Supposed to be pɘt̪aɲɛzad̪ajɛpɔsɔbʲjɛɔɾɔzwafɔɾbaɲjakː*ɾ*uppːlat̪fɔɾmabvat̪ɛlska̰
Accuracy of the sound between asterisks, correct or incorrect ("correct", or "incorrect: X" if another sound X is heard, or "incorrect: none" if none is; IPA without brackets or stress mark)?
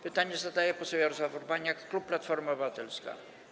incorrect: l